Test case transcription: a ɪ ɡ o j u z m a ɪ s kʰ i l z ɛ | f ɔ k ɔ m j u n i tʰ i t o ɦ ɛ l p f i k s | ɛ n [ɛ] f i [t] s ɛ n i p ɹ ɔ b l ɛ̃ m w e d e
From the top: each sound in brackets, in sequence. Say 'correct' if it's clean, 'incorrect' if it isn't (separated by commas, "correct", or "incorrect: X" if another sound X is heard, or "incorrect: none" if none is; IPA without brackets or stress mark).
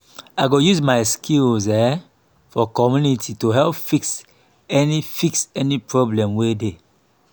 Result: incorrect: i, incorrect: k